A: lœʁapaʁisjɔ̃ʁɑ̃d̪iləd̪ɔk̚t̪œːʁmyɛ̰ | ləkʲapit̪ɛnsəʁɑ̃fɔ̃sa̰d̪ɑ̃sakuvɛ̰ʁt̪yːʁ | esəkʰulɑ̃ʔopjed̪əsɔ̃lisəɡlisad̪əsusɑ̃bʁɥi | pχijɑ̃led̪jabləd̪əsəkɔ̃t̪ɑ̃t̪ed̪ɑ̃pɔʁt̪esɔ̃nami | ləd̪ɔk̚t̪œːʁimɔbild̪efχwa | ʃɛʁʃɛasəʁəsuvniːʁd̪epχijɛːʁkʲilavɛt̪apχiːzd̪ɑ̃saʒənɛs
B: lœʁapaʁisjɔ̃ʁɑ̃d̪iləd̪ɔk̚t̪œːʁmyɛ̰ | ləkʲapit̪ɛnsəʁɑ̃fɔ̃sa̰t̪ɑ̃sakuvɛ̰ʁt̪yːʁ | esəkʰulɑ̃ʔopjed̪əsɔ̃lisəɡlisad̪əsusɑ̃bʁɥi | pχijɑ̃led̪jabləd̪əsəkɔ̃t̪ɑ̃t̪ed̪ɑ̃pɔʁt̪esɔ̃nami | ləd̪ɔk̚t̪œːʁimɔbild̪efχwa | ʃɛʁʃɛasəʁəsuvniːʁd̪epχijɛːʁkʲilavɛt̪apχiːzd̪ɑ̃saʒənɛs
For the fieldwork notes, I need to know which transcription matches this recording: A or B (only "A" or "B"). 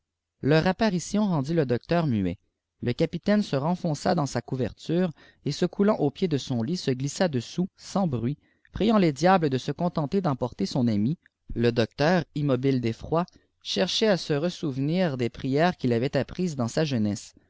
A